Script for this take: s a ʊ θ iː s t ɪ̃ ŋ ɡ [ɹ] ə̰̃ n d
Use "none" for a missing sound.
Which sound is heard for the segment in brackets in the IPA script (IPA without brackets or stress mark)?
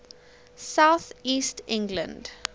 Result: l